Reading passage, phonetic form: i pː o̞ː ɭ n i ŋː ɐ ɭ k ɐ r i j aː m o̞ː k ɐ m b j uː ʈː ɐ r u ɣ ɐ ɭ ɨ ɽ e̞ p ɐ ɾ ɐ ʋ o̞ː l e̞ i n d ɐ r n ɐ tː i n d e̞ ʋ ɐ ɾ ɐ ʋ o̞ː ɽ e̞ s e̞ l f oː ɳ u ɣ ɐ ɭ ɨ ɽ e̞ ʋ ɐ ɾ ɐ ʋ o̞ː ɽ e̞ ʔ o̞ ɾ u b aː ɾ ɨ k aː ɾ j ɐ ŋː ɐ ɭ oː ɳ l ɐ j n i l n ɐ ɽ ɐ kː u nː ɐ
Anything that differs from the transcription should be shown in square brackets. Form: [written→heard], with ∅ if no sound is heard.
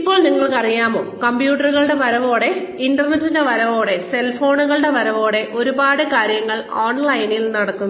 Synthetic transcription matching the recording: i pː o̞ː ɭ n i ŋː ɐ ɭ k ɐ r i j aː m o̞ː k ɐ m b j uː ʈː ɐ r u ɣ ɐ ɭ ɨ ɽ e̞ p ɐ ɾ ɐ ʋ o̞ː [l→ɽ] e̞ i n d ɐ r n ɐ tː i n d e̞ ʋ ɐ ɾ ɐ ʋ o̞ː ɽ e̞ s e̞ l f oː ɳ u ɣ ɐ ɭ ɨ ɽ e̞ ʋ ɐ ɾ ɐ ʋ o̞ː ɽ e̞ ʔ o̞ ɾ u b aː [ɾ→ɽ] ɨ k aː ɾ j ɐ ŋː ɐ ɭ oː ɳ l ɐ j n i l n ɐ ɽ ɐ kː u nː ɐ